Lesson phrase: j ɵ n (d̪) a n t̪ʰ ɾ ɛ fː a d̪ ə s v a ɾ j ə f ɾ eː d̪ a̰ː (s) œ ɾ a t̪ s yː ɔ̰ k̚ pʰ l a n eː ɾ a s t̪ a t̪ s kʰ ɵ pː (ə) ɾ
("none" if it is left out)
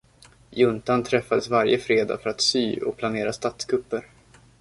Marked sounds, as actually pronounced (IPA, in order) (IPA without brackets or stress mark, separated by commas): t̪, f, ə